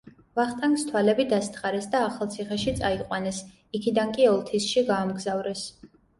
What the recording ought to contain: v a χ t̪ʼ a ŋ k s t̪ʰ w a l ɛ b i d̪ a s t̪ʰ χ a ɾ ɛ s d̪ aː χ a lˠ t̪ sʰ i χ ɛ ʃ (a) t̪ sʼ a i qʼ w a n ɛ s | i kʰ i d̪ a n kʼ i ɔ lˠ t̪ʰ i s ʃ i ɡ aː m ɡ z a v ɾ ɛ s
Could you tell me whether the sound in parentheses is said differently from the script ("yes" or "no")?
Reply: yes